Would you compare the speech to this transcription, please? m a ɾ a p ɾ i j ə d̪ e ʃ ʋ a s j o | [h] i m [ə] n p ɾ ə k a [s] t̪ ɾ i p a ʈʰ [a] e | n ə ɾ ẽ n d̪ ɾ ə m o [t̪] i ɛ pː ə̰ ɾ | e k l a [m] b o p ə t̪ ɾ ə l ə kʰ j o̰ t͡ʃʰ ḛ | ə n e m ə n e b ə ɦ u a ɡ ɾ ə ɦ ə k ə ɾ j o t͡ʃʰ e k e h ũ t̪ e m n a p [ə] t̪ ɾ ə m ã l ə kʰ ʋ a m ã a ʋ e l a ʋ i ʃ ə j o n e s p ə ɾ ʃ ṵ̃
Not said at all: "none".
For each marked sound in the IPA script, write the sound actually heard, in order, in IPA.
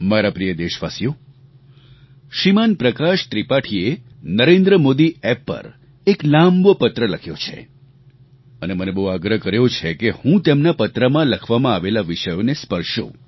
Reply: ʃ, a, ʃ, i, d̪, m, ə

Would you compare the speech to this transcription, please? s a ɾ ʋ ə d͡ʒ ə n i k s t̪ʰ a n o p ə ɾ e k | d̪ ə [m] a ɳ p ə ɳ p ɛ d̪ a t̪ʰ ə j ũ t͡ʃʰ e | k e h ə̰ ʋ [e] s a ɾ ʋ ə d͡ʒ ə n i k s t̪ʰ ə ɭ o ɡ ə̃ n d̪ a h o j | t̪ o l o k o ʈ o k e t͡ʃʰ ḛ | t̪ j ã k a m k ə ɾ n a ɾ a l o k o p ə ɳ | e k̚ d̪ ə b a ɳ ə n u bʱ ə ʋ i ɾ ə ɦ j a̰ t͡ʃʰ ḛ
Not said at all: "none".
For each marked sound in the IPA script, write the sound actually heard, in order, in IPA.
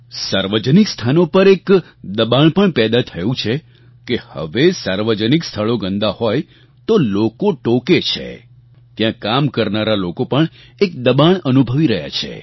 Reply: b, e

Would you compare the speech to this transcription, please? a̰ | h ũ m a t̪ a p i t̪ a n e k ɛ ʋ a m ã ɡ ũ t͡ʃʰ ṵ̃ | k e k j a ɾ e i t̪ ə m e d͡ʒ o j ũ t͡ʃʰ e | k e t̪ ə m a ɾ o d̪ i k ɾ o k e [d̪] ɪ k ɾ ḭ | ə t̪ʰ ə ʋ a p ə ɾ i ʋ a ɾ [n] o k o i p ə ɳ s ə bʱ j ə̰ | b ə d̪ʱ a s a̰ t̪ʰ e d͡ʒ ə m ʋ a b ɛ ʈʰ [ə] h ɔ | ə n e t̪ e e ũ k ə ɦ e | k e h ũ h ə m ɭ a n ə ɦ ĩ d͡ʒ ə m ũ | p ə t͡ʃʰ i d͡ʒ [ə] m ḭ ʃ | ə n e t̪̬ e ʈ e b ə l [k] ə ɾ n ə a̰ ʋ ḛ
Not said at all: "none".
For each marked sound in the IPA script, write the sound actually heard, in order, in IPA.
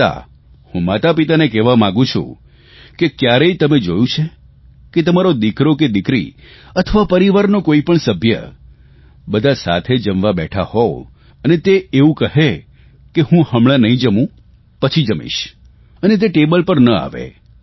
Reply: d̪, n, a, ə, p

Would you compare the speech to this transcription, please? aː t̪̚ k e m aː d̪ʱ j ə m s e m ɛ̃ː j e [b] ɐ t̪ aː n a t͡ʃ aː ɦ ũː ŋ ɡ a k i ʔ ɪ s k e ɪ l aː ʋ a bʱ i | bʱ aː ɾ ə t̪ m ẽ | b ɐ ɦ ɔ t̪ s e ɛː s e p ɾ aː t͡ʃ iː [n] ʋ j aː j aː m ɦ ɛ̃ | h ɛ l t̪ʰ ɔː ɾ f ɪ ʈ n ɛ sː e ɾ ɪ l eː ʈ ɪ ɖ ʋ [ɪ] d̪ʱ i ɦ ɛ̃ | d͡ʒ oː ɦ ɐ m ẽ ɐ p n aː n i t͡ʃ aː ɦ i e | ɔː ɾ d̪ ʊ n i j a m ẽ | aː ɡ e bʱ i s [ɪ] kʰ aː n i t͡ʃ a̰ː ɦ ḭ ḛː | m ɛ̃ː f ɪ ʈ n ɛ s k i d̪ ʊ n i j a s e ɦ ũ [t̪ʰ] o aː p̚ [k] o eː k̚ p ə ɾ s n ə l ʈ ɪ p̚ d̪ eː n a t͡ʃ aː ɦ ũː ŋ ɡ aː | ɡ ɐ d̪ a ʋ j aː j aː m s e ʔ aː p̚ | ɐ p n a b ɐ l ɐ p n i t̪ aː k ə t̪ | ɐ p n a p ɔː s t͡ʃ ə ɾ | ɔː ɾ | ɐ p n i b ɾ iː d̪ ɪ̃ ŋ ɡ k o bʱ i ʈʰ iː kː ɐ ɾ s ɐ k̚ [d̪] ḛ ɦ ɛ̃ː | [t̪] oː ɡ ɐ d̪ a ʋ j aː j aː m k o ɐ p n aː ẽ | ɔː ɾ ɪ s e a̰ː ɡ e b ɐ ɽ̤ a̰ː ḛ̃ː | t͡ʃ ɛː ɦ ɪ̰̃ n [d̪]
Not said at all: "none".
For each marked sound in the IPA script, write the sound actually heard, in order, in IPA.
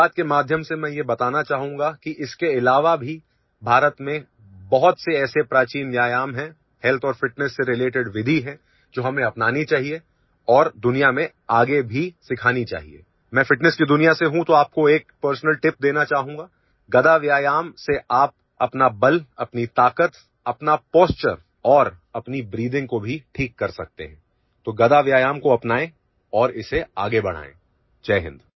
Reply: b, n, ɪ, ɪ, t̪, k, t̪, t̪, d̪

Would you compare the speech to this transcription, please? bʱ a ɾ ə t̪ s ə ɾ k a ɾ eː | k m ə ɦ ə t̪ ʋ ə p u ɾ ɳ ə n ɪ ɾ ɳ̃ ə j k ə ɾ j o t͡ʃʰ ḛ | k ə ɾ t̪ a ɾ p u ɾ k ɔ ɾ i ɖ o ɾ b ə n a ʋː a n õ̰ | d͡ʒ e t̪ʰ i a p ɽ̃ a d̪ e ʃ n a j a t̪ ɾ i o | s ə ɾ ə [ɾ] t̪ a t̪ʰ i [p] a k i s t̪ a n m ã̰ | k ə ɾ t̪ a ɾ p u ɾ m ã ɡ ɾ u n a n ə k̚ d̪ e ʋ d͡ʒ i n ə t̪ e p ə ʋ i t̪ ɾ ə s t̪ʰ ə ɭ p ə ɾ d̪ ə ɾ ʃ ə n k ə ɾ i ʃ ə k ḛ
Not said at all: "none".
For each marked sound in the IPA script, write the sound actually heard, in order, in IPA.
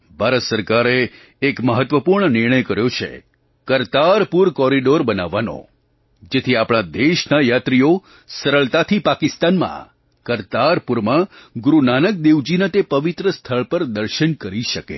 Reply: ɭ, p

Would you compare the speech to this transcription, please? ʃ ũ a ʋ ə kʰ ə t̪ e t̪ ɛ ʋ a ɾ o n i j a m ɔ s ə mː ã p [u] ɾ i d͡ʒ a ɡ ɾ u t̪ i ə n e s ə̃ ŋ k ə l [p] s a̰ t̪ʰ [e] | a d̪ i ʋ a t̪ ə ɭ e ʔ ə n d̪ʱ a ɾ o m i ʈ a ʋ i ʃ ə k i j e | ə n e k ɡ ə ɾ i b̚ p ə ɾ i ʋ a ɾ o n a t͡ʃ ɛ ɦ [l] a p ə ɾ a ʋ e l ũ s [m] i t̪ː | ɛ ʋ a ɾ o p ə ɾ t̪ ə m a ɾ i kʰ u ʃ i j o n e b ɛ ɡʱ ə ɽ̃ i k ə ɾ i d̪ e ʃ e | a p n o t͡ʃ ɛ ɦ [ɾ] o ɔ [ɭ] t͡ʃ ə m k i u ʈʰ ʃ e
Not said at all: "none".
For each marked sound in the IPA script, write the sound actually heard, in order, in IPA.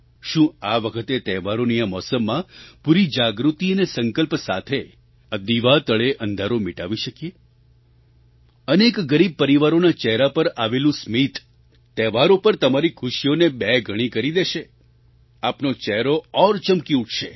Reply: u, p, e, ɾ, m, ɾ, ɾ

